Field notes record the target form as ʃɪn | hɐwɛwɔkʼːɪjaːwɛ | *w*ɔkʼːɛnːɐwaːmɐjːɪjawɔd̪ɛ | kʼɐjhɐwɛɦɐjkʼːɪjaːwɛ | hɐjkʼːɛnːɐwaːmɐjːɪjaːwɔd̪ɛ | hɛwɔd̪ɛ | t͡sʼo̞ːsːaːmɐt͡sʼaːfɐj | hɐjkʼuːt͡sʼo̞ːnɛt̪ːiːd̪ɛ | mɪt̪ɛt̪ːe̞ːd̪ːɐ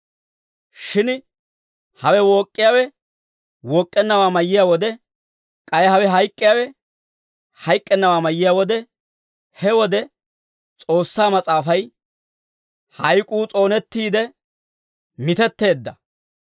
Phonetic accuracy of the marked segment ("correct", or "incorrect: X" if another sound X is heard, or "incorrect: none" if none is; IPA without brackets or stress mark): correct